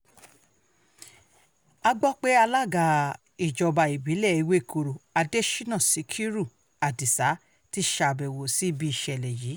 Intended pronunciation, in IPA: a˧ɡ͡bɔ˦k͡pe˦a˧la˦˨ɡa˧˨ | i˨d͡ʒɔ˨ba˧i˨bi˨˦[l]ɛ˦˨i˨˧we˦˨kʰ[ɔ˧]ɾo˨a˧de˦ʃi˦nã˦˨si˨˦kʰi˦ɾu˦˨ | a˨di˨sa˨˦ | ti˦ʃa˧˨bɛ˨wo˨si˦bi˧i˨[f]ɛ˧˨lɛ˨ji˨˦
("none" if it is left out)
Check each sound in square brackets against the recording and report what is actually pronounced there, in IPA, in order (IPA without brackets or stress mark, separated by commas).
l, o˧, ʃ